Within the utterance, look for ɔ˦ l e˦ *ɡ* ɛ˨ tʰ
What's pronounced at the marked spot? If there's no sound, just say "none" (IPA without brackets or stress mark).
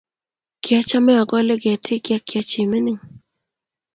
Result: ɡ